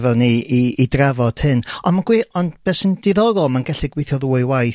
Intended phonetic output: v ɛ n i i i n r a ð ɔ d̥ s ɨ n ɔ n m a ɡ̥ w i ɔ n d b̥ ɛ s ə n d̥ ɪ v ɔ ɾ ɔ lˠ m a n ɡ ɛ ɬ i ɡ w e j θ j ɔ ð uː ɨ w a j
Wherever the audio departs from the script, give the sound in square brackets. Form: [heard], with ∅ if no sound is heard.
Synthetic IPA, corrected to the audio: v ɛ n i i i [d] r a [v] ɔ d̥ [h] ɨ n ɔ n m a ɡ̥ w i ɔ n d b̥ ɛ s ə n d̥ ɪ [ð] ɔ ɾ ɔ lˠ m a n ɡ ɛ ɬ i ɡ w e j θ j ɔ ð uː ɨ w a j